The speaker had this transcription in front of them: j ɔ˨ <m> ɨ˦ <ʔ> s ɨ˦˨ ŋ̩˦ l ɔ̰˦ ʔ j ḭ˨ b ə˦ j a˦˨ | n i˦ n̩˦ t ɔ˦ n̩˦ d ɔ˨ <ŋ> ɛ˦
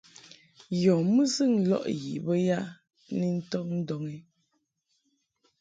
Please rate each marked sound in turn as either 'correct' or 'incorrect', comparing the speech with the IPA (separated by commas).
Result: correct, incorrect, correct